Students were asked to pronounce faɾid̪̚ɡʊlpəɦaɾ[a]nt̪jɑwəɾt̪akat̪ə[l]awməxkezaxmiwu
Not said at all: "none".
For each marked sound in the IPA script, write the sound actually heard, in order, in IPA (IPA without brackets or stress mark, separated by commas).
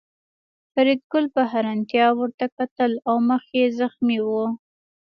a, l